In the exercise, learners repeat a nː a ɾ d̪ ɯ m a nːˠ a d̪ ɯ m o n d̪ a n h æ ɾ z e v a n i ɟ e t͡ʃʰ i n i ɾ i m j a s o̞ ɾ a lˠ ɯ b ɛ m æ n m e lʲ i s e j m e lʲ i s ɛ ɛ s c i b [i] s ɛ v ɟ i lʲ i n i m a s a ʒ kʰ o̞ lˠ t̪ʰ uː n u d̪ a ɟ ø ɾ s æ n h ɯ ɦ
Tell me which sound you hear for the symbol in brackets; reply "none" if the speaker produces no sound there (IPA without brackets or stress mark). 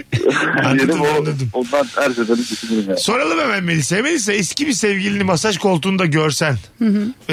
i